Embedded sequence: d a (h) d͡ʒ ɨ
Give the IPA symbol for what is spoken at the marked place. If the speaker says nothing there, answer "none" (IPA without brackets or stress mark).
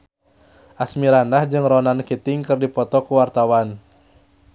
h